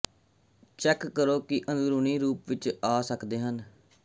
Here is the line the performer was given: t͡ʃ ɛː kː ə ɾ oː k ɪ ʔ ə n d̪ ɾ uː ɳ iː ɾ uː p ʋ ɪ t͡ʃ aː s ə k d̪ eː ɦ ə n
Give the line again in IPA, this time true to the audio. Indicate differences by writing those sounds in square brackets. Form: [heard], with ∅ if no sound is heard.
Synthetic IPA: t͡ʃ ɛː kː ə ɾ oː k ɪ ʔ ə n d̪ ɾ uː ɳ iː ɾ uː p ʋ ɪ t͡ʃ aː s ə k d̪ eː ɦ ə n